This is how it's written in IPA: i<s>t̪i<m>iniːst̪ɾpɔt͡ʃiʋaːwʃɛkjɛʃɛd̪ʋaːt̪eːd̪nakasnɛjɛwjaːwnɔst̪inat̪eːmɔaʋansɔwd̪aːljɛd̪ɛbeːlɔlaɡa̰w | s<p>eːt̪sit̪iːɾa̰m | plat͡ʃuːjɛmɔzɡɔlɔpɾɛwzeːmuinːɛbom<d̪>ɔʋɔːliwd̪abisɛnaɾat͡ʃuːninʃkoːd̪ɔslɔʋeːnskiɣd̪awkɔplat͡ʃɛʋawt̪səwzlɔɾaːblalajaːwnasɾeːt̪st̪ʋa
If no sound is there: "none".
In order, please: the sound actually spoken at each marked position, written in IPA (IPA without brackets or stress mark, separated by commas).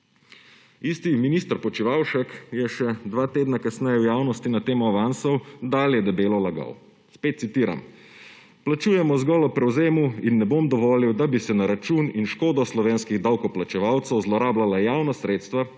s, m, p, d̪